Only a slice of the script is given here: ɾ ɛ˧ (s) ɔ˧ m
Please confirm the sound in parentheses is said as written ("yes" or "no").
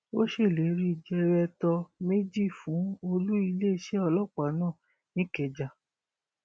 no